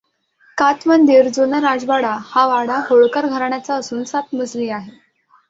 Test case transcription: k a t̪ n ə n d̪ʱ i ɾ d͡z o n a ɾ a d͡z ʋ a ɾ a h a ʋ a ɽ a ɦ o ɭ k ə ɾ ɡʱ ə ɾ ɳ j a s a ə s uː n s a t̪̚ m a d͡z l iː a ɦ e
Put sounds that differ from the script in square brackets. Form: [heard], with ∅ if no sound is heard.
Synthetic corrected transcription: k a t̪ [m] ə n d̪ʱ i ɾ d͡z o n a ɾ a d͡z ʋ a [ɽ] a h a ʋ a ɽ a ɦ o ɭ k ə ɾ ɡʱ ə ɾ ɳ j a [t͡s] a ə s uː n s a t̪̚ m [ə] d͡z l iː a ɦ e